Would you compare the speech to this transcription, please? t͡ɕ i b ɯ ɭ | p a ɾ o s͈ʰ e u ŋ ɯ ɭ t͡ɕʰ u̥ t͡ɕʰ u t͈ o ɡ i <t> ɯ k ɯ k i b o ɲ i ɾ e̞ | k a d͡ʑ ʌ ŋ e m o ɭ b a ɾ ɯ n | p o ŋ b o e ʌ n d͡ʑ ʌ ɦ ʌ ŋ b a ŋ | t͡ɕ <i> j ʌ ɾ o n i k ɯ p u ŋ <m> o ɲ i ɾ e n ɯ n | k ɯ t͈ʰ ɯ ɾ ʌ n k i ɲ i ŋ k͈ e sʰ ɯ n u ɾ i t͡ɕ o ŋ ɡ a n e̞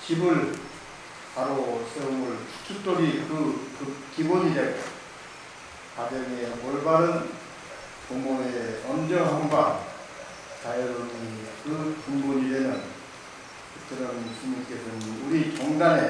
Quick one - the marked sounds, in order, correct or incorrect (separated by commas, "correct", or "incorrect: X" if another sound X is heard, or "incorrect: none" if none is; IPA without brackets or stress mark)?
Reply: incorrect: k, incorrect: a, incorrect: b